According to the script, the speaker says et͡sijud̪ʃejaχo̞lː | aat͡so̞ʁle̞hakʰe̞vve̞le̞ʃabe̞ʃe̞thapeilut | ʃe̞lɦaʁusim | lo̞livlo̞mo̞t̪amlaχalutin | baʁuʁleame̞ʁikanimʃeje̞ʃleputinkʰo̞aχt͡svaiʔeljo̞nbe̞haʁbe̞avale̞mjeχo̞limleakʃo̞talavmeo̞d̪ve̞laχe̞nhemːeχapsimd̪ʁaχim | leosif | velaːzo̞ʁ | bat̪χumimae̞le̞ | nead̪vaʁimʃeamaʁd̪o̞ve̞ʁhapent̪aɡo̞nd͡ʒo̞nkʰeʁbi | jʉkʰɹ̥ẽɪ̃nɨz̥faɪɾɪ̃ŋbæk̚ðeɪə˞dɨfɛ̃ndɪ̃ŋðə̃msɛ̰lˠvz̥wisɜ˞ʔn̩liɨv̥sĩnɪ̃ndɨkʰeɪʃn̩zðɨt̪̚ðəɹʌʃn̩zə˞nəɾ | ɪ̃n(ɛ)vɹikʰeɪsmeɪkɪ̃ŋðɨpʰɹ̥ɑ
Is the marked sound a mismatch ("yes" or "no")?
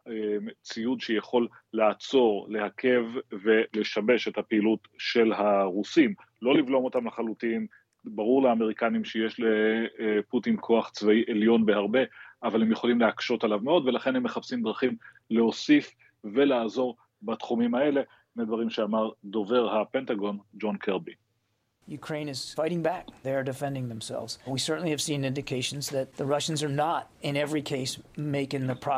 no